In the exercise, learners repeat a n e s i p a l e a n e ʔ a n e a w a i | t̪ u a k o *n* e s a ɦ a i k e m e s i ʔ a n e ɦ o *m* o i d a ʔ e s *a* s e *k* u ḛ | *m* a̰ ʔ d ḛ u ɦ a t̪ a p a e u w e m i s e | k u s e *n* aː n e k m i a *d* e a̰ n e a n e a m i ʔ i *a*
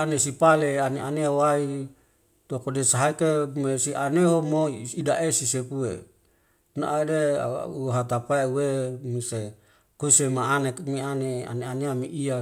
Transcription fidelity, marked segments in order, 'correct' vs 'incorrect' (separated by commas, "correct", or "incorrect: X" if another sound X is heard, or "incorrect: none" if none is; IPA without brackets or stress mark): incorrect: d, correct, incorrect: i, incorrect: p, incorrect: n, incorrect: m, incorrect: n, correct